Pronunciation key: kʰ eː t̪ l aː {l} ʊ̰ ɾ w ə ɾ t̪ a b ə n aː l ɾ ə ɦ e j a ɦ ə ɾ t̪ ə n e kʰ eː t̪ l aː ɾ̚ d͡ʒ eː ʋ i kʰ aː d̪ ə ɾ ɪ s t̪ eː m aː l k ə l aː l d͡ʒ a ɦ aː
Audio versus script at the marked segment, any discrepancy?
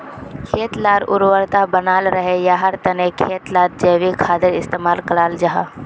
yes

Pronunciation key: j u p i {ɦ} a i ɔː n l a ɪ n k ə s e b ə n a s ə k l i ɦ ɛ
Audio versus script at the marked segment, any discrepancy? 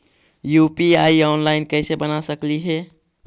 yes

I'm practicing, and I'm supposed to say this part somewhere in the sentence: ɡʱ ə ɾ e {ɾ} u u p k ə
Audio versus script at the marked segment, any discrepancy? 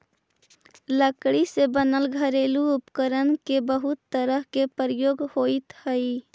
yes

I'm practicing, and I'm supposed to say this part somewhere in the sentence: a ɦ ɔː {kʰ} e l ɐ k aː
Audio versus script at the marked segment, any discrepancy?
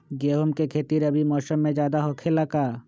no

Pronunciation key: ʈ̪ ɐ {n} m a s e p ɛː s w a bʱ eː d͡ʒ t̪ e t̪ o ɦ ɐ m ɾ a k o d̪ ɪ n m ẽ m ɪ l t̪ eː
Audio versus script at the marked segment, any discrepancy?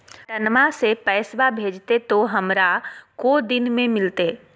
no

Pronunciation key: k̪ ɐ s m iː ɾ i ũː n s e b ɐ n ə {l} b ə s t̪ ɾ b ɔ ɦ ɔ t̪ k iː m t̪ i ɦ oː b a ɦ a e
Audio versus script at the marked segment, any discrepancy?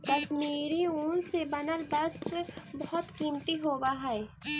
no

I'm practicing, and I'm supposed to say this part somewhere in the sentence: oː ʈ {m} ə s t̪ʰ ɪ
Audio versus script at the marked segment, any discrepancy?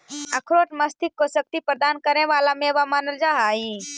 no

